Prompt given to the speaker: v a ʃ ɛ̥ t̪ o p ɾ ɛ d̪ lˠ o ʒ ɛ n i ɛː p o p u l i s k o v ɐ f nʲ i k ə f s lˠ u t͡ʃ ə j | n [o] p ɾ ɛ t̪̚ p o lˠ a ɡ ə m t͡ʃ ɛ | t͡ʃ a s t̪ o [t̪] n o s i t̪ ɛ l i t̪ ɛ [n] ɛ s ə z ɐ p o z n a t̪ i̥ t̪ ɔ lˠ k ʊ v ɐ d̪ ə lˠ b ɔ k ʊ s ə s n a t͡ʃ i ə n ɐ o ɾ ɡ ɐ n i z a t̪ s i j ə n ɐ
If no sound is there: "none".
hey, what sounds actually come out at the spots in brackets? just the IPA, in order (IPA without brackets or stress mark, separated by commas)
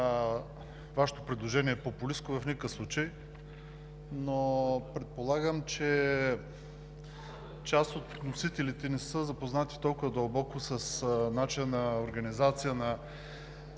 o, t̪, n